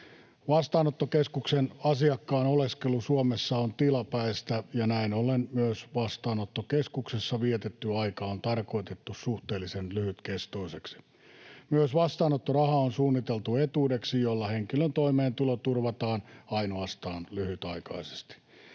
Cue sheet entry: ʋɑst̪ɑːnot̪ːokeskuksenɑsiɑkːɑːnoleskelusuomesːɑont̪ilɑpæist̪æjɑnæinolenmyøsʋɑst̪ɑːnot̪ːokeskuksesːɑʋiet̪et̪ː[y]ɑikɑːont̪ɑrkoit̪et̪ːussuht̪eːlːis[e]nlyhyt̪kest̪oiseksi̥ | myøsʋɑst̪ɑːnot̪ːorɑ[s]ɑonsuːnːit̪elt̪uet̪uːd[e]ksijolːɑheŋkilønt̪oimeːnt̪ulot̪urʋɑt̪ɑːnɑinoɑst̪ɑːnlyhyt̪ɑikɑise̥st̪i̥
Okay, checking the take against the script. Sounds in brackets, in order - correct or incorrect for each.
correct, correct, incorrect, correct

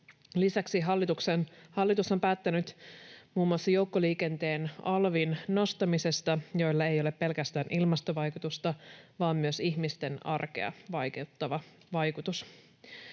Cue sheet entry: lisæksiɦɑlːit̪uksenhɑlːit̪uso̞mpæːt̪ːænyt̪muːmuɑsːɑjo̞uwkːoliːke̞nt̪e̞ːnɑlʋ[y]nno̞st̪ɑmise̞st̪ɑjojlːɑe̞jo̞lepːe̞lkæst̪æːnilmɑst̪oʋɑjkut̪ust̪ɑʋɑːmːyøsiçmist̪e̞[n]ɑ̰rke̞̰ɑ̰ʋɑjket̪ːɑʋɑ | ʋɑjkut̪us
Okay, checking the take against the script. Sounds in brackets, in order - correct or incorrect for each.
incorrect, correct

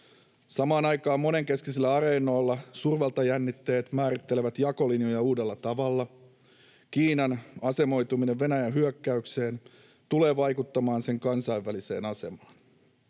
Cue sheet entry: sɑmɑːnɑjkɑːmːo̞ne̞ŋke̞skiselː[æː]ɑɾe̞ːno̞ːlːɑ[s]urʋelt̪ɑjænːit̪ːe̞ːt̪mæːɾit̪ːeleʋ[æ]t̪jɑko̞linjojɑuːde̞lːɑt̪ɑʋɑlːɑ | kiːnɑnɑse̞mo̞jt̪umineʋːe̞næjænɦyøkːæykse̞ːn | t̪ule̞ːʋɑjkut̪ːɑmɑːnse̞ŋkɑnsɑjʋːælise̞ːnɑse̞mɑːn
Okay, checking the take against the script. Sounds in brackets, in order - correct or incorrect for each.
incorrect, correct, correct

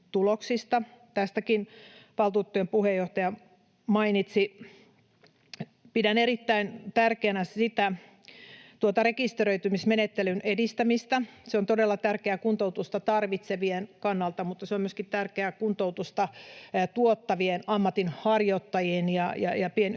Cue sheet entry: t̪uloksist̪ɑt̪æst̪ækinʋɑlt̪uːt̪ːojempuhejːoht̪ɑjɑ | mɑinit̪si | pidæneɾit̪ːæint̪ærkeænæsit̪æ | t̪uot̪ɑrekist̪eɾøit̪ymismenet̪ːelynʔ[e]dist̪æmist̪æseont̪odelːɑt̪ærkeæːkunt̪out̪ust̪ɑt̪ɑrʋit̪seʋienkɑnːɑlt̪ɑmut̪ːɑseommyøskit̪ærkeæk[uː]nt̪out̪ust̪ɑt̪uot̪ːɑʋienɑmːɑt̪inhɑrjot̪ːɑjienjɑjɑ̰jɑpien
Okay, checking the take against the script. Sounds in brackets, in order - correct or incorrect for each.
correct, incorrect

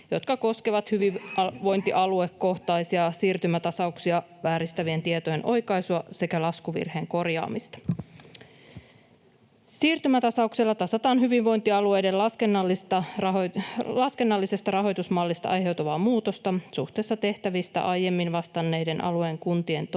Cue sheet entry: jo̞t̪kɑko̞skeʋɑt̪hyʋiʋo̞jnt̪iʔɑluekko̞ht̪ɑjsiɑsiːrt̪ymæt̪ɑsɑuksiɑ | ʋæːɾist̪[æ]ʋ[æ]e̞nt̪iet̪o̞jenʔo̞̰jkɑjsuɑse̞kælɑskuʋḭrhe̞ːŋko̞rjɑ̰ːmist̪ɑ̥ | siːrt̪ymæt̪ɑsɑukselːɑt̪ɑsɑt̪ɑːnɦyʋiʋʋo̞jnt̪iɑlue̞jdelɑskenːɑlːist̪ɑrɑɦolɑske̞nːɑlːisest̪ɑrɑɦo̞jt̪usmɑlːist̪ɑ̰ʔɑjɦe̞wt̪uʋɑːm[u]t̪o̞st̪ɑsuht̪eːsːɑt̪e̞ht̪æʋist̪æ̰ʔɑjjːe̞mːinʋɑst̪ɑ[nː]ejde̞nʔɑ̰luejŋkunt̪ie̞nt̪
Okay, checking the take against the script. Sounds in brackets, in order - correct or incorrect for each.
correct, incorrect, incorrect, correct

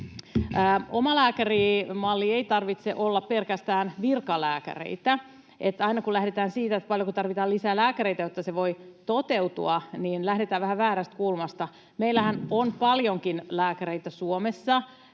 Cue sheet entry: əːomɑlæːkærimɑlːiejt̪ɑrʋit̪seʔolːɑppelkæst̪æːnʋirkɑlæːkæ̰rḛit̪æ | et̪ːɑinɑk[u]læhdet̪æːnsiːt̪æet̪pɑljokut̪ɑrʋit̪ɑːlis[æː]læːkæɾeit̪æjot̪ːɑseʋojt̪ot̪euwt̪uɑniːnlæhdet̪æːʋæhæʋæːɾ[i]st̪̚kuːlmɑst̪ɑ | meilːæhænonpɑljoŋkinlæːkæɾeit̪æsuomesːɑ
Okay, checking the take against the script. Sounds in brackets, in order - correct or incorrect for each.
correct, correct, incorrect

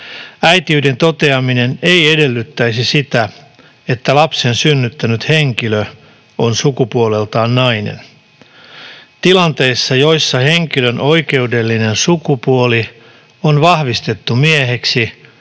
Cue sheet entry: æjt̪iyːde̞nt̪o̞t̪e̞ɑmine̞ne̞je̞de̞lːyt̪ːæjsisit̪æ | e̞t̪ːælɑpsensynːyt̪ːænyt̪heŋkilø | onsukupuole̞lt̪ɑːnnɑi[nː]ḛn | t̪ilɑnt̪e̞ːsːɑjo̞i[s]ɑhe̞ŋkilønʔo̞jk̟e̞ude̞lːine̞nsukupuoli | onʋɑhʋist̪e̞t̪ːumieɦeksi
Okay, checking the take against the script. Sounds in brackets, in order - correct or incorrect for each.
incorrect, incorrect

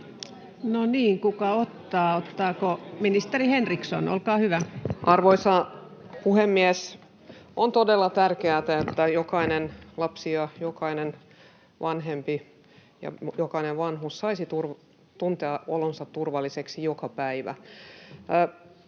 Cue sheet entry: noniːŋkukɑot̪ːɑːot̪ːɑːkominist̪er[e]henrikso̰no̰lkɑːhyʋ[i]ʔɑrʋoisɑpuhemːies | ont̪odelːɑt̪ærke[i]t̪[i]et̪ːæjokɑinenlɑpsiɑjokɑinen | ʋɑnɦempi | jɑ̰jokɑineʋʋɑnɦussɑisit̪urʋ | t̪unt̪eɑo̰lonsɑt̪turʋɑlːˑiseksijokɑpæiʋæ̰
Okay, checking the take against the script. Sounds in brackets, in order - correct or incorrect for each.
incorrect, incorrect, incorrect, incorrect

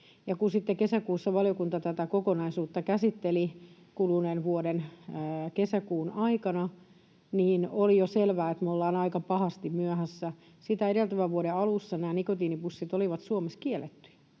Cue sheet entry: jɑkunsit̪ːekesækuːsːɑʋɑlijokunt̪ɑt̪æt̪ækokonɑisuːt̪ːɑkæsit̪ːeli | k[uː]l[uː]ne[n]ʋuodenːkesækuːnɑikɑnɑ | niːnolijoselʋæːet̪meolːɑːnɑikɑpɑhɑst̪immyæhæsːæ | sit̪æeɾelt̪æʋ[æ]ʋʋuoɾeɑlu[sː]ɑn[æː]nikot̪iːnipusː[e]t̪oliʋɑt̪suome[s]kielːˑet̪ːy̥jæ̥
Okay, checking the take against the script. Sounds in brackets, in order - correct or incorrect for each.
incorrect, incorrect, correct, correct, correct, correct, incorrect, correct

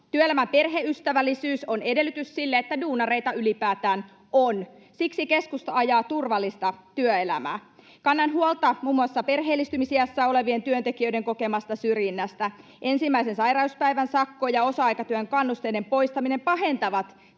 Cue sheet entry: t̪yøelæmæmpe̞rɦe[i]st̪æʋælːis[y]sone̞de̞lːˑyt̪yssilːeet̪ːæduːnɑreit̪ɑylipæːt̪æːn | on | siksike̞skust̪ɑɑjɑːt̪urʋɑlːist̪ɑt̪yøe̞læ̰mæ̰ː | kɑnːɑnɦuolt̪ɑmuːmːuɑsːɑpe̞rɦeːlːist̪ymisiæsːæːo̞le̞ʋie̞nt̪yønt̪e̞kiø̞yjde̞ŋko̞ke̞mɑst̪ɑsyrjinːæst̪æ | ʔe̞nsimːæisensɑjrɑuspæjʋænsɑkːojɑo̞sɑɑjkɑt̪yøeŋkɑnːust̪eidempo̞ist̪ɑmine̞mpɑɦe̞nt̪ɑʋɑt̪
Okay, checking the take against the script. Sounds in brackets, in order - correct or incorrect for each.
incorrect, incorrect

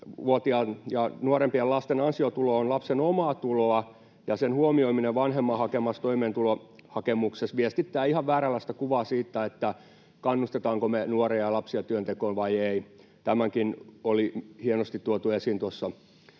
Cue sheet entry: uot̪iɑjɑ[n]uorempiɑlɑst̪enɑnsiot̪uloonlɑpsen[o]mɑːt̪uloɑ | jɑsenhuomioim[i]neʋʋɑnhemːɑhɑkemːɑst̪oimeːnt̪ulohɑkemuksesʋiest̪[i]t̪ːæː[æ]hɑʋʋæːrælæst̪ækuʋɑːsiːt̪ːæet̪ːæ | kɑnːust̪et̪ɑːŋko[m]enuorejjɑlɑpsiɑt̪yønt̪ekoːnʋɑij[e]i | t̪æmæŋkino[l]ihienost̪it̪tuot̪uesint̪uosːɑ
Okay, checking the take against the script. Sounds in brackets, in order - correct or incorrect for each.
correct, correct, correct, correct, incorrect, correct, correct, correct

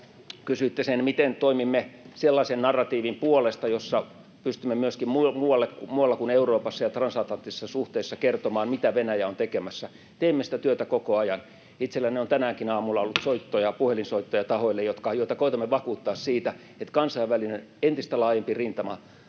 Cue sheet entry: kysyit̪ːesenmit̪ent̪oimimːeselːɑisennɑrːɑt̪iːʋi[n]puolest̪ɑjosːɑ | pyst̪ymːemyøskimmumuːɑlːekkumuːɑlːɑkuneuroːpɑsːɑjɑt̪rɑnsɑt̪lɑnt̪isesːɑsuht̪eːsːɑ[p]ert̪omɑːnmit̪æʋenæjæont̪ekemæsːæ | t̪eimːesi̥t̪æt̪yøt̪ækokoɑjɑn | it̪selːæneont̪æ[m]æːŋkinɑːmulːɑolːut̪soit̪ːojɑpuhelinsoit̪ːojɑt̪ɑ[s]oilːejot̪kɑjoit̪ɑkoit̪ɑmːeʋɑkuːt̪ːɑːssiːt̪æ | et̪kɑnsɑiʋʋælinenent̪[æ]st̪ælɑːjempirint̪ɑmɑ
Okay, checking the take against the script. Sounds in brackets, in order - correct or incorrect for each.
incorrect, incorrect, incorrect, incorrect, incorrect

